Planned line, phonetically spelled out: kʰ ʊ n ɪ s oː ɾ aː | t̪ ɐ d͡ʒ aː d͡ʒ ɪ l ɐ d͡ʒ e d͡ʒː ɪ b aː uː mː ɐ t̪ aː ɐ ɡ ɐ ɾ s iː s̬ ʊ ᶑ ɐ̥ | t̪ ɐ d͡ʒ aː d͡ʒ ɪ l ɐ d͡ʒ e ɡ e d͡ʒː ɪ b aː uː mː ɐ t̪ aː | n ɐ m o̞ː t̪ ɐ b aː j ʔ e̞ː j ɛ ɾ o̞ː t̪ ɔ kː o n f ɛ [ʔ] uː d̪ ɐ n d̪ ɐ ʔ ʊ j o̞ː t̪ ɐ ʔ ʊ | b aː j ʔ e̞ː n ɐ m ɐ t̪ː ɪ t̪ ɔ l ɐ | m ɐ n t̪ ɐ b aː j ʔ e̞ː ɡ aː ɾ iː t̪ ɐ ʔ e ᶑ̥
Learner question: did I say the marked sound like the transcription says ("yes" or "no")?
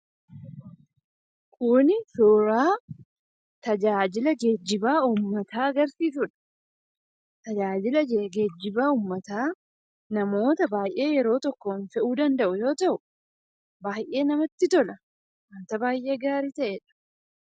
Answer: yes